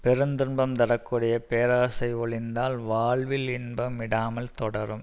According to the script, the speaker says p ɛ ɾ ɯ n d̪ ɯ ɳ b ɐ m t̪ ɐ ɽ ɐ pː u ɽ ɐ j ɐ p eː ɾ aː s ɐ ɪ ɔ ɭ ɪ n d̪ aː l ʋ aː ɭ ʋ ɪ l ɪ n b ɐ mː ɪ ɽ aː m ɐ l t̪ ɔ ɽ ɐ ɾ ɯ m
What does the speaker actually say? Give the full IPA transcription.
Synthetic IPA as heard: p ɛ ɾ ɯ n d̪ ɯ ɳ b ɐ m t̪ ɐ ɽ ɐ kː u ɽ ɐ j ɐ p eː ɾ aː s ɐ ɪ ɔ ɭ ɪ n d̪ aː l ʋ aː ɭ ʋ ɪ l ɪ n b ɐ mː ɪ ɽ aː m ɐ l t̪ ɔ ɽ ɐ ɾ ɯ m